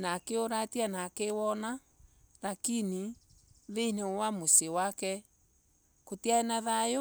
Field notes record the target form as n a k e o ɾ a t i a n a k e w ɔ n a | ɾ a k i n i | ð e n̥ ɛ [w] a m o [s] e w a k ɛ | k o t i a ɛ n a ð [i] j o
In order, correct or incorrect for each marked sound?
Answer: correct, correct, incorrect

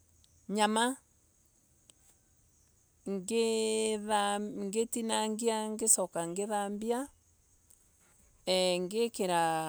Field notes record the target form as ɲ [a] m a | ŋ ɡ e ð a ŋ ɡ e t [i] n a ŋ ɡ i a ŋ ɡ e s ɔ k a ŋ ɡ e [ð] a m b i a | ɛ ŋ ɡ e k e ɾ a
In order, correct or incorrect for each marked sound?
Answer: correct, correct, correct

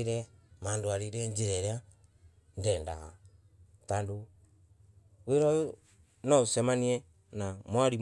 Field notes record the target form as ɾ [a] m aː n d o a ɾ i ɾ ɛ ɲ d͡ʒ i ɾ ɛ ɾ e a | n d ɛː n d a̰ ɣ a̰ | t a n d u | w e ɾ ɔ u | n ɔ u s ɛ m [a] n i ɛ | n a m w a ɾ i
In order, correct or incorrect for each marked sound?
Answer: incorrect, correct

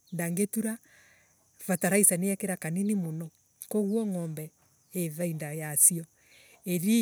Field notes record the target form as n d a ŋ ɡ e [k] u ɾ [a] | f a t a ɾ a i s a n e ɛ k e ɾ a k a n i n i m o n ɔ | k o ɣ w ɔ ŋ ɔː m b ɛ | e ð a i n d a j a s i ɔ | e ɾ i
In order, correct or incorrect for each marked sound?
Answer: incorrect, correct

